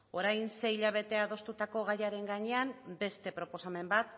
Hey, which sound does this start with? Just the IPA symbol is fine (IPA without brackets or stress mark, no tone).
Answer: o̞